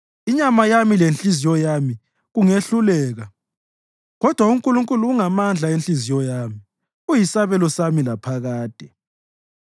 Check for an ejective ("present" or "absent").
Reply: present